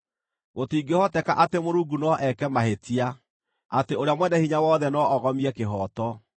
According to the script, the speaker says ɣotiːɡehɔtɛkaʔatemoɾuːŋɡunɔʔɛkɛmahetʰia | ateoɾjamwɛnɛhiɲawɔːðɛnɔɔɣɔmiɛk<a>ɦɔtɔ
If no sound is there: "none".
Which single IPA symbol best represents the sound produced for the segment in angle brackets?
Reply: e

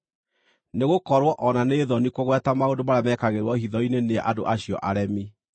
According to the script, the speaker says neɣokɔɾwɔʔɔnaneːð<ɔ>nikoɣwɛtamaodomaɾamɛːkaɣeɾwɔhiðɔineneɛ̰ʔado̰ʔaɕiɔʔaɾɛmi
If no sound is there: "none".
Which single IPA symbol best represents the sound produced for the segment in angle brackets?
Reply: ɔ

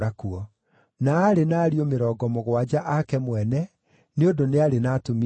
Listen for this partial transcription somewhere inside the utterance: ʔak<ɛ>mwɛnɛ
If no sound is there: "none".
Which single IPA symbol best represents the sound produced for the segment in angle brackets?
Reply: ɛ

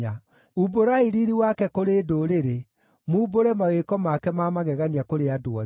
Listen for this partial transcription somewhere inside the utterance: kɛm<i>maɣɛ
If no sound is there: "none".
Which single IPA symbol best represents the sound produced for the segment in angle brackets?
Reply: a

